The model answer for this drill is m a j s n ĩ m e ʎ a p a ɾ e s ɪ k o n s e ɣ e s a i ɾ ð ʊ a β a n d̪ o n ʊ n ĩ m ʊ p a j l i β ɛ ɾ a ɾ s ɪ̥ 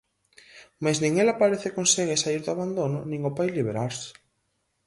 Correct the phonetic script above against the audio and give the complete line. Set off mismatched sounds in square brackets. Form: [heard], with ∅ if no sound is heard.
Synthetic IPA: m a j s n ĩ [ŋ] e [l] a p a ɾ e [θ] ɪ k o n s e ɣ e s a i ɾ ð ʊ a β a n d̪ o n ʊ n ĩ [ŋ] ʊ p a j l i β [e] ɾ a ɾ s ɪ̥